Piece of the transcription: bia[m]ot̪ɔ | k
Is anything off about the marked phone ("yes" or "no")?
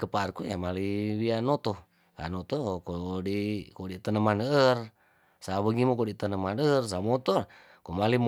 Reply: yes